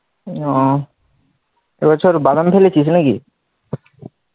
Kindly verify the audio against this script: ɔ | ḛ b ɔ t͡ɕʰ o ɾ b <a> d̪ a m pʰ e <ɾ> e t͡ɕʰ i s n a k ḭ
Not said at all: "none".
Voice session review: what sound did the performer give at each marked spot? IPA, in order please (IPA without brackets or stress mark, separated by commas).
a, l